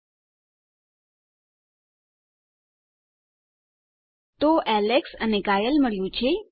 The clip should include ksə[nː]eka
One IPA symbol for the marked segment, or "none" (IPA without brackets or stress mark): n